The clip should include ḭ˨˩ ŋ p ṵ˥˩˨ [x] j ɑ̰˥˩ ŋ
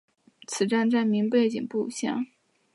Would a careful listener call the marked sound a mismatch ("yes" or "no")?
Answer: yes